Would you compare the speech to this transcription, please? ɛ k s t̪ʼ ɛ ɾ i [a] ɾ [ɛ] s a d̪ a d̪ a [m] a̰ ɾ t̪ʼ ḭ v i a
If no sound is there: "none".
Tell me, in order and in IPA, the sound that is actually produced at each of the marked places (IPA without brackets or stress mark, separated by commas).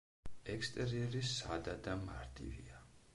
ɛ, i, m